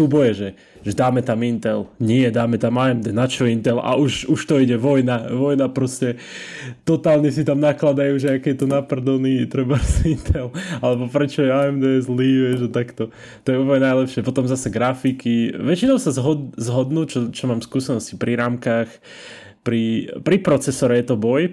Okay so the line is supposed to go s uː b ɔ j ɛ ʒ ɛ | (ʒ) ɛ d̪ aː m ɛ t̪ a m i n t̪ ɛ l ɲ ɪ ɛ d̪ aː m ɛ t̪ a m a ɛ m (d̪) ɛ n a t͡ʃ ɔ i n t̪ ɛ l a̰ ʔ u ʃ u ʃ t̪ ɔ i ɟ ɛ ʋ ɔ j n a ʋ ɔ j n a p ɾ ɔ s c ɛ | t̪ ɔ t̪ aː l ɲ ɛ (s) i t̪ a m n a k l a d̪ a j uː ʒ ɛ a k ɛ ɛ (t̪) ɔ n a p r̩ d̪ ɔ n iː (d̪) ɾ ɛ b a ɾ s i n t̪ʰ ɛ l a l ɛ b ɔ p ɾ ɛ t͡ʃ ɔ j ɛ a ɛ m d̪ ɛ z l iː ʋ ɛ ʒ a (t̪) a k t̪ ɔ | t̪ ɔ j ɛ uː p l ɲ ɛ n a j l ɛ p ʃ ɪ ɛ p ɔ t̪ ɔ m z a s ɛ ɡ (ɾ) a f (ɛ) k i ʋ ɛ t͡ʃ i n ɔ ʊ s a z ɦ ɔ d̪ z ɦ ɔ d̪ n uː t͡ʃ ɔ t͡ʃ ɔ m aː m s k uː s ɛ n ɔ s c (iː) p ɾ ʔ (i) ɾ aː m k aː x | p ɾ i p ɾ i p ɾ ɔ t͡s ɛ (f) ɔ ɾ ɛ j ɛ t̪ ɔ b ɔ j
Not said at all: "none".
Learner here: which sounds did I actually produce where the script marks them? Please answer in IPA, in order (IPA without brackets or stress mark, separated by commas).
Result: ʒ, d̪, s, t̪, t̪, t̪, ɾ, i, i, i, s